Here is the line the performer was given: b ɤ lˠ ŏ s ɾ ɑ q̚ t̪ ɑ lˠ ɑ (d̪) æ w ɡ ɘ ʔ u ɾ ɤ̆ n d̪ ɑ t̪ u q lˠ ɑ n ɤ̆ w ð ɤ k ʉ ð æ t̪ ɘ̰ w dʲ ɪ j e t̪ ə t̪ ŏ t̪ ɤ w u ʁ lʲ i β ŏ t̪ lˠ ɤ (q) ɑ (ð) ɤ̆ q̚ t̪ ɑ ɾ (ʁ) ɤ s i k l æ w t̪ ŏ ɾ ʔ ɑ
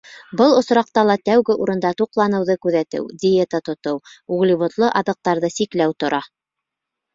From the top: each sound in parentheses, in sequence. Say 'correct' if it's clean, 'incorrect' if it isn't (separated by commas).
incorrect, incorrect, correct, incorrect